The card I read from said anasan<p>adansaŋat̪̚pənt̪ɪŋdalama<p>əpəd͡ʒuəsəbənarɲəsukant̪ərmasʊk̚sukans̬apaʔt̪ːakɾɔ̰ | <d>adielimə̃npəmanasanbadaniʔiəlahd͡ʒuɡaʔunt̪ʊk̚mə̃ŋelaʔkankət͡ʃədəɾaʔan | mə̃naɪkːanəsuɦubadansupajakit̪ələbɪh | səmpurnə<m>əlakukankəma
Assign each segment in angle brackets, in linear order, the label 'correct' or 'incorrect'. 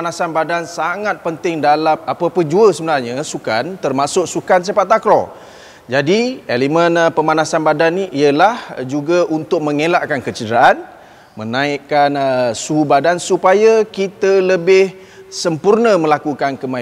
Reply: incorrect: b, correct, incorrect: d͡ʒ, correct

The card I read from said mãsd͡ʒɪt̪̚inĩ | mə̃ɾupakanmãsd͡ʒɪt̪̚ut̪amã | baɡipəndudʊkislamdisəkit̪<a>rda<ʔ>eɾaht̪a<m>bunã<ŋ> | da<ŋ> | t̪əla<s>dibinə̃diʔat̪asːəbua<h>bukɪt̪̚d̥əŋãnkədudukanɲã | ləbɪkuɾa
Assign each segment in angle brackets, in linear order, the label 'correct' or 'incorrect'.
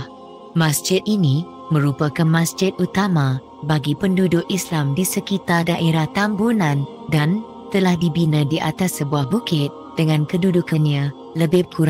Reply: correct, correct, correct, incorrect: n, incorrect: n, incorrect: h, correct

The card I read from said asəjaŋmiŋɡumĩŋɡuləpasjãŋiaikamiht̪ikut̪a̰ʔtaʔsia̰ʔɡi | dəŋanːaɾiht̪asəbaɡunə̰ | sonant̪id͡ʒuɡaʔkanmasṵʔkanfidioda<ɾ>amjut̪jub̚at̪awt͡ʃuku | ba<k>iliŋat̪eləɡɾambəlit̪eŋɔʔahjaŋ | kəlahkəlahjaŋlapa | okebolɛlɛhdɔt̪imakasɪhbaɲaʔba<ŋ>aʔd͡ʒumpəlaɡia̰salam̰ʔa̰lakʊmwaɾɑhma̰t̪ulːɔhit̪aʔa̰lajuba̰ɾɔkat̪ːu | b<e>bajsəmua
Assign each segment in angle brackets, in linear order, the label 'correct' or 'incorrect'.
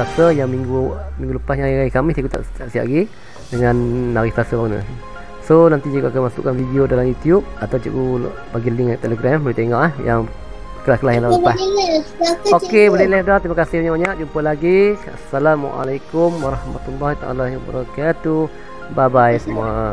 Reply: incorrect: l, incorrect: ɡ, incorrect: ɲ, incorrect: a

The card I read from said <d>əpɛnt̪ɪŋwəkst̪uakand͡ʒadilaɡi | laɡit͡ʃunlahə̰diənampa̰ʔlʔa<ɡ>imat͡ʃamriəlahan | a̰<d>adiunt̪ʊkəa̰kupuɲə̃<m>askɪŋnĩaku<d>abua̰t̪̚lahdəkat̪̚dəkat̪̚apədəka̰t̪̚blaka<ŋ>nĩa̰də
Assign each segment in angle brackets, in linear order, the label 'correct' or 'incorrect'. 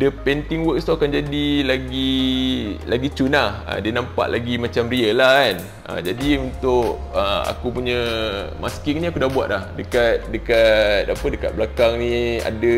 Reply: correct, correct, incorrect: d͡ʒ, correct, correct, correct

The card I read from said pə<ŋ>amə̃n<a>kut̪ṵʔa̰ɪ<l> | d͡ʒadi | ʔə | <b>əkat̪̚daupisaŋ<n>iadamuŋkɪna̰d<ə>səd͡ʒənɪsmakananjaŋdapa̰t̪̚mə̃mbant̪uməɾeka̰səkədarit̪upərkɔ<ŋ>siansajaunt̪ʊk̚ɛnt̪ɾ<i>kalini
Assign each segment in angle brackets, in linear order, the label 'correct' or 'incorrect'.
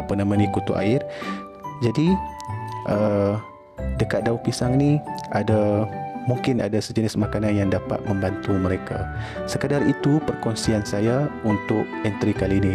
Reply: incorrect: n, incorrect: i, incorrect: r, incorrect: d, correct, incorrect: a, incorrect: n, correct

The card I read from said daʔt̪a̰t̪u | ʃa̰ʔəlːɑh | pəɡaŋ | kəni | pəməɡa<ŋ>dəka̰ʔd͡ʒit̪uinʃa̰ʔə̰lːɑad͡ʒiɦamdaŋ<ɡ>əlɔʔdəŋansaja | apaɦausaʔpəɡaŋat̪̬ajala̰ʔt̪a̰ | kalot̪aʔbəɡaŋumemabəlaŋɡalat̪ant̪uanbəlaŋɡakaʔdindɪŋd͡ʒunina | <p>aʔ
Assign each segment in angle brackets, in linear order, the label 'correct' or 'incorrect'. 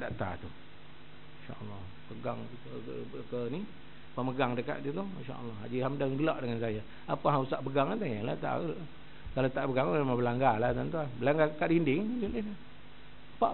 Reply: correct, correct, correct

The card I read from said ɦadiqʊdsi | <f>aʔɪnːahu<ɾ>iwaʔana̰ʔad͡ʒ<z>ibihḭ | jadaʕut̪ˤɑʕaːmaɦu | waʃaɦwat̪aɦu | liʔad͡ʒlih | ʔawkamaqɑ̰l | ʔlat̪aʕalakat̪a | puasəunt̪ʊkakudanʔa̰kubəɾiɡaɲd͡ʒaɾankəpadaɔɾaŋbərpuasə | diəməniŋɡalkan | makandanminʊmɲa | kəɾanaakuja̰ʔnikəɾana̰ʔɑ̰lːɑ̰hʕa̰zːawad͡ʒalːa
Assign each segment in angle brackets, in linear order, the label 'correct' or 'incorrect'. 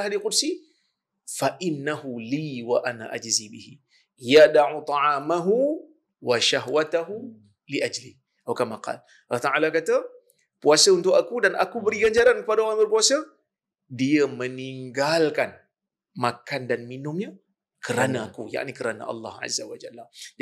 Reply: correct, incorrect: l, correct

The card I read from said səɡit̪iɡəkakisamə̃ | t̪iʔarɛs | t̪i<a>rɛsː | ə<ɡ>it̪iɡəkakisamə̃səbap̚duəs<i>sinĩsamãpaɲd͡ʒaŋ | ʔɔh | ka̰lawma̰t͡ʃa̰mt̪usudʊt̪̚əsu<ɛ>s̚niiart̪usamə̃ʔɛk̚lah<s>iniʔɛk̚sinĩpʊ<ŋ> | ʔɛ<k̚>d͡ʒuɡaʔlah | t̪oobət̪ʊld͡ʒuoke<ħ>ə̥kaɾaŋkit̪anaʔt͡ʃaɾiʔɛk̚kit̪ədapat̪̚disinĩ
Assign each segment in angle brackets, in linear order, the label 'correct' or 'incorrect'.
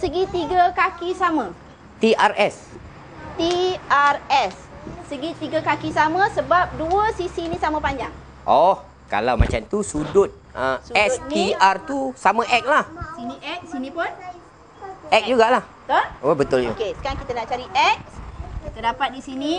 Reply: correct, correct, correct, correct, correct, incorrect: n, correct, incorrect: s

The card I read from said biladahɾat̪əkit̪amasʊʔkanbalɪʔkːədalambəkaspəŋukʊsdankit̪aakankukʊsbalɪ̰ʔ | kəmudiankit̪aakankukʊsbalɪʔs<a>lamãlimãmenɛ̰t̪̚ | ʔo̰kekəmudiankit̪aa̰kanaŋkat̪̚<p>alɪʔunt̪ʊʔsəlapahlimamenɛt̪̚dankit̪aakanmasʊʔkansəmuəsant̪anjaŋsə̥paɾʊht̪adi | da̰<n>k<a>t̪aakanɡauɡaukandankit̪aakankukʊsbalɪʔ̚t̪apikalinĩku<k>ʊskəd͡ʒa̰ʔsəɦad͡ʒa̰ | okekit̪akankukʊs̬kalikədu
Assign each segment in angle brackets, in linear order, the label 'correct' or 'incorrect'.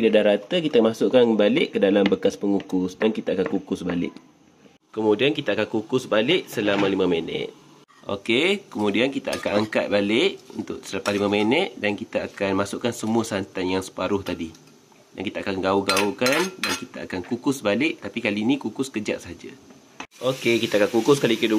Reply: incorrect: ə, incorrect: b, correct, incorrect: i, correct

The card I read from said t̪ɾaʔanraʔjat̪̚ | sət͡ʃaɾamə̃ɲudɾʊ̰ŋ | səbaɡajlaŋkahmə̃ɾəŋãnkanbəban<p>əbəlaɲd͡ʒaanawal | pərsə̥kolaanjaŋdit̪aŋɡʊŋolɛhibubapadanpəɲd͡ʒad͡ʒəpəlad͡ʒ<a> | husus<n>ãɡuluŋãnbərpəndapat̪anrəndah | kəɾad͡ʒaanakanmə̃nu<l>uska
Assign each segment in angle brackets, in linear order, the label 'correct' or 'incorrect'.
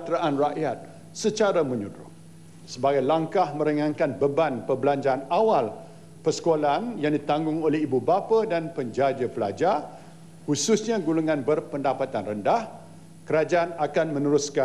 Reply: correct, correct, incorrect: ɲ, incorrect: ɾ

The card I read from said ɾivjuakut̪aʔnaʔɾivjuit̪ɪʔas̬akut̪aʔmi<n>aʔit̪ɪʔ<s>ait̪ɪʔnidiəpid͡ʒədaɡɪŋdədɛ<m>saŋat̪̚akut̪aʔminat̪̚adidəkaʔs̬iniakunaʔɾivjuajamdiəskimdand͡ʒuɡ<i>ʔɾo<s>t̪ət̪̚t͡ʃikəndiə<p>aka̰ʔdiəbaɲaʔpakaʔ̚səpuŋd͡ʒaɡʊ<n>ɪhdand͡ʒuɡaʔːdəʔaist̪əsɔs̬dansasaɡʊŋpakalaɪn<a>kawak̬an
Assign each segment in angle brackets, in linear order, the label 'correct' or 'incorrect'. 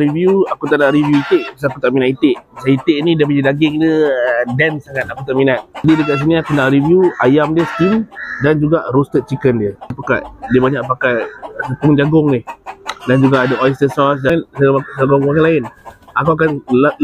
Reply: correct, correct, incorrect: n, incorrect: a, correct, correct, incorrect: ŋ, correct

